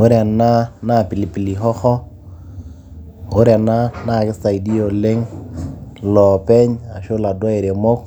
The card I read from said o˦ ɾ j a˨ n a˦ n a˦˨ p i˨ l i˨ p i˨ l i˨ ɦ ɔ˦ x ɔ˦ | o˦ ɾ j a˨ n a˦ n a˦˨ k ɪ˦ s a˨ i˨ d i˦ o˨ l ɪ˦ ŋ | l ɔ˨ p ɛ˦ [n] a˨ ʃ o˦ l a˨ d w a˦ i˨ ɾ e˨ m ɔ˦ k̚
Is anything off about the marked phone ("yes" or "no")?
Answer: yes